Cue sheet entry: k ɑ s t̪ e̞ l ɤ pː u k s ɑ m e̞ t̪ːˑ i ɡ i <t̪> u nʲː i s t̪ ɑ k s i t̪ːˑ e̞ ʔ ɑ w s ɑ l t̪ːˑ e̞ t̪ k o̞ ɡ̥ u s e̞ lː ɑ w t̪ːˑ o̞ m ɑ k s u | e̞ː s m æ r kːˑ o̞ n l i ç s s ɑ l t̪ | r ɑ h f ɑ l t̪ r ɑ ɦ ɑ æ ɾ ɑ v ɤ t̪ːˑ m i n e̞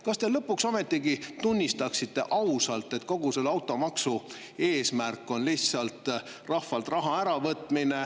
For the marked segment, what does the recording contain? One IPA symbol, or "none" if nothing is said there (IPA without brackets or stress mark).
t̪